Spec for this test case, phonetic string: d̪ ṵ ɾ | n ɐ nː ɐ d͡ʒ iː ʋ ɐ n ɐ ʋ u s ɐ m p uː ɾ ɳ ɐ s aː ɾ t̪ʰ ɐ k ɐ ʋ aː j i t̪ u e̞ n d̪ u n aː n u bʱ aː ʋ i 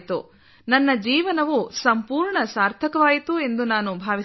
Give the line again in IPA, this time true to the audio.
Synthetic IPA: t̪ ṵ | n ɐ nː ɐ d͡ʒ iː ʋ ɐ n ɐ ʋ u s ɐ m p uː ɾ ɳ ɐ s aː ɾ t̪ʰ ɐ k ɐ ʋ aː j i t̪ u e̞ n d̪ u n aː n u bʱ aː ʋ i